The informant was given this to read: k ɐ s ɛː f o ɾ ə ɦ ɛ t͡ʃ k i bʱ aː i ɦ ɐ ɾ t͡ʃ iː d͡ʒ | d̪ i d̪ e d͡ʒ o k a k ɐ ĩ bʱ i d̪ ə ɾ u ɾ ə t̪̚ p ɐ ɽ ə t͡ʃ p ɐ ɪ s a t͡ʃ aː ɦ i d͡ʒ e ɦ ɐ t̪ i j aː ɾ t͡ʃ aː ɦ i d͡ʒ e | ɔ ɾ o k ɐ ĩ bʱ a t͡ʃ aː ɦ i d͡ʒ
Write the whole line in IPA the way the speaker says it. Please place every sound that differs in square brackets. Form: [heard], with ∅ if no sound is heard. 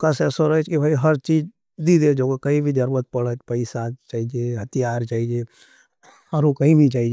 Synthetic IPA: k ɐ s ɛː [s] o ɾ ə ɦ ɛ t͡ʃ k i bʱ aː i ɦ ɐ ɾ t͡ʃ iː d͡ʒ | d̪ i d̪ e d͡ʒ o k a k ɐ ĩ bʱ i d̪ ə ɾ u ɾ ə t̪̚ p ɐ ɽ ə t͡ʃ p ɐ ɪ s a t͡ʃ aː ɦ i d͡ʒ e ɦ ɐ t̪ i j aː ɾ t͡ʃ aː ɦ i d͡ʒ e | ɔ ɾ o k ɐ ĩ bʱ [i] t͡ʃ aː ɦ i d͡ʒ